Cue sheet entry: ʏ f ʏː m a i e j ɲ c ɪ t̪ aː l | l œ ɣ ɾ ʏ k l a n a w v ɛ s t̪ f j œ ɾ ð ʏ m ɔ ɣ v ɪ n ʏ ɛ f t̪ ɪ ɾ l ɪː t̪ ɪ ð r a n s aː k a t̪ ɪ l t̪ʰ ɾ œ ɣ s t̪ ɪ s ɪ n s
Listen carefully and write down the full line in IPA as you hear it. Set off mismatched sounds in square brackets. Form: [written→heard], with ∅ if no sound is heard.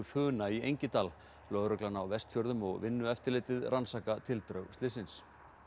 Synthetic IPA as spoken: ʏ f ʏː [m→n] a i e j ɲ c ɪ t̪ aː l | l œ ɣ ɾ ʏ k l a n a w v ɛ s t̪ f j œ ɾ ð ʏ m ɔ ɣ v ɪ [n→nː] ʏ ɛ f t̪ ɪ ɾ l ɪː t̪ ɪ ð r a n s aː k a [t̪→t̪ʰ] ɪ l [t̪ʰ→t̪] ɾ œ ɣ s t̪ ɪ s ɪ n s